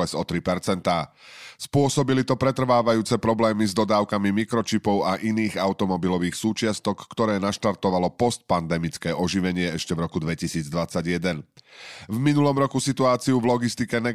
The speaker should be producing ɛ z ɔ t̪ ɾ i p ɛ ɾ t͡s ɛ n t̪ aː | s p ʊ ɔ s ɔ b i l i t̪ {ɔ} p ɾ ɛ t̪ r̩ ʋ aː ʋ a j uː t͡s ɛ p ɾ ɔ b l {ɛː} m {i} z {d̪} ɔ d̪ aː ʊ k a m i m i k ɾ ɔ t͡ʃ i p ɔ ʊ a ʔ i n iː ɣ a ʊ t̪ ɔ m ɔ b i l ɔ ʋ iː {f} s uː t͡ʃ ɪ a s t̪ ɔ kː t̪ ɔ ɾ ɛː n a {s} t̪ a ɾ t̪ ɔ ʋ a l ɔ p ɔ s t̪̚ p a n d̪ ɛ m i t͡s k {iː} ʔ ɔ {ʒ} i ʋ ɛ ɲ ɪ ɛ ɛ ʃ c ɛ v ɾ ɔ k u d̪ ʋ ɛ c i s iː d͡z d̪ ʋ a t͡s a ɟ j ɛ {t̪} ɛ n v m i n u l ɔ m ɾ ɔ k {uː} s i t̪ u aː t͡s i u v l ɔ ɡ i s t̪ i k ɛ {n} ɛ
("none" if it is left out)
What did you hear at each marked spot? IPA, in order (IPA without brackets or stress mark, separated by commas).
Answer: ɔ, ɛː, i, d̪, x, ʃ, ɛː, ʒ, d̪, u, n